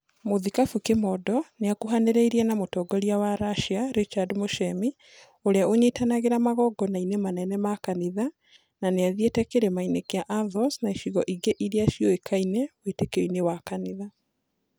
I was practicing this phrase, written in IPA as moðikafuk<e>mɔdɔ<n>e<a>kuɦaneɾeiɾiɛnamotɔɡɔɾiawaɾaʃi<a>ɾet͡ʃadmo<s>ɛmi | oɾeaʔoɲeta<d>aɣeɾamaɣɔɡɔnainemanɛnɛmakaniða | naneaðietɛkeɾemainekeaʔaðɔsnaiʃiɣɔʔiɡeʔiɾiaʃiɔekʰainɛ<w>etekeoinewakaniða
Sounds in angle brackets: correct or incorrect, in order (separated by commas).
correct, correct, correct, correct, incorrect, incorrect, correct